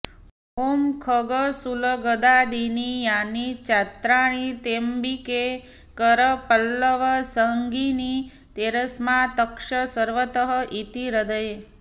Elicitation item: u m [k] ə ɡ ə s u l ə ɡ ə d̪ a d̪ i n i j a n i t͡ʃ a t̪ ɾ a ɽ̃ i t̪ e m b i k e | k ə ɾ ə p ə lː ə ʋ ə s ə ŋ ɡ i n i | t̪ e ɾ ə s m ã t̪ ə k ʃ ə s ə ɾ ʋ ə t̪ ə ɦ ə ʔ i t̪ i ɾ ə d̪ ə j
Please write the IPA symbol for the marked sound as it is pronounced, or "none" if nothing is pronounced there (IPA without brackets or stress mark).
kʰ